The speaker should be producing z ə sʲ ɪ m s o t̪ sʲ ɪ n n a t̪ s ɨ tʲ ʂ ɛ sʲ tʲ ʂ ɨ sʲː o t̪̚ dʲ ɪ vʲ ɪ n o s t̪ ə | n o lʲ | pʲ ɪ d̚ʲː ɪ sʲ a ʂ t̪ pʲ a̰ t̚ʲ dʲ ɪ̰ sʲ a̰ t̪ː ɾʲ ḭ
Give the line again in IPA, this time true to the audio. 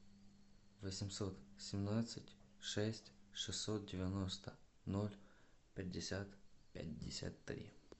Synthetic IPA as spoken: v ə sʲ ɪ m s o t̪ sʲ ɪ m n a t̪ s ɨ tʲ ʂ ɛ sʲ tʲ ʂ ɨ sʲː o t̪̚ dʲ ɪ vʲ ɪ n o s t̪ ə | n o lʲ | pʲ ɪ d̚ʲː ɪ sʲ a t̪ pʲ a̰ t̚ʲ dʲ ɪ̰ sʲ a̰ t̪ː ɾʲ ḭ